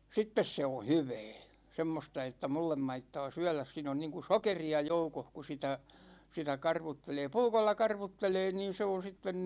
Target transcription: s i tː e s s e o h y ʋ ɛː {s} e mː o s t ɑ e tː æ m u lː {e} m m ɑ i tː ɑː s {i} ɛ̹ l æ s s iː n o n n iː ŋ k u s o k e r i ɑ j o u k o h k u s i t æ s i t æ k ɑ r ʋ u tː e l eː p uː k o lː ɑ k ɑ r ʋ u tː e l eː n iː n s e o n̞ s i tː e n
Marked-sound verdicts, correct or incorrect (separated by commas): correct, correct, incorrect